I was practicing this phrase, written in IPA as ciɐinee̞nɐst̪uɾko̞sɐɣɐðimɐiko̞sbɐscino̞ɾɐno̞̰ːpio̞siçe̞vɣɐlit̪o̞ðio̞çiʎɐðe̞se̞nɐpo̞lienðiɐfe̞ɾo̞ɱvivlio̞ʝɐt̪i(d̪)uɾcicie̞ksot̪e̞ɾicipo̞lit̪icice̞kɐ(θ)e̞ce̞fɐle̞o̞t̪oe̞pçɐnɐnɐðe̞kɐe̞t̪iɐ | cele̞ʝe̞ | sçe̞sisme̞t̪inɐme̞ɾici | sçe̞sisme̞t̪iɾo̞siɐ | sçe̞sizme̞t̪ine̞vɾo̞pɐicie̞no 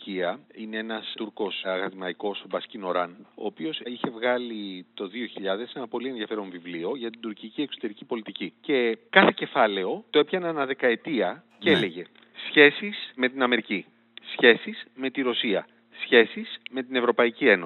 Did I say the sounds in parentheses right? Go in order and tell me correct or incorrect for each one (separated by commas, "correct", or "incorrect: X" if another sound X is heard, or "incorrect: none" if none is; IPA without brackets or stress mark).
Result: correct, correct